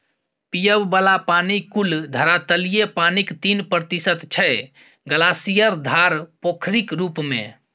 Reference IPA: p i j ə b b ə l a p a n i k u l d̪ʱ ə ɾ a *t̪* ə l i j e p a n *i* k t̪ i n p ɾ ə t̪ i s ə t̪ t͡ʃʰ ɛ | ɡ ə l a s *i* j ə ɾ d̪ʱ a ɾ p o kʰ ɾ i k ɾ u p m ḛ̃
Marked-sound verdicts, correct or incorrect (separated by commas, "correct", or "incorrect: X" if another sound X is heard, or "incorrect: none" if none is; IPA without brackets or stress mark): correct, correct, correct